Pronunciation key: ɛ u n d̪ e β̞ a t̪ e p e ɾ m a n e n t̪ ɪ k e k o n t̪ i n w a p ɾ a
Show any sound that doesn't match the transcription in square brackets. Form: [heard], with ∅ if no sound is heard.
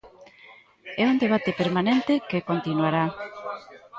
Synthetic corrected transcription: ɛ u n d̪ e β̞ a t̪ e p e ɾ m a n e n t̪ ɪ k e k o n t̪ i n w a [∅] ɾ a